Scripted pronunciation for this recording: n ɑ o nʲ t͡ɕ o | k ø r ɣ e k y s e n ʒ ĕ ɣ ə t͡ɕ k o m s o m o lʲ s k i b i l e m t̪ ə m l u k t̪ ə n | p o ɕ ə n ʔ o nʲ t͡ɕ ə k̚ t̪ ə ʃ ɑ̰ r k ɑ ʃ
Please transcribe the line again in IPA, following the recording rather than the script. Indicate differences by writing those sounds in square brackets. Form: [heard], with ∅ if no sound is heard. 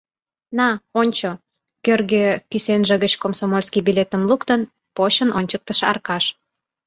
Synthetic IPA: n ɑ o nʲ t͡ɕ o | k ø r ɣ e k y s e n ʒ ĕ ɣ ə t͡ɕ k o m s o m o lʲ s k i b i l e [∅] t̪ ə m l u k t̪ ə n | p o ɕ ə n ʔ o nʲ t͡ɕ ə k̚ t̪ ə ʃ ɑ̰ r k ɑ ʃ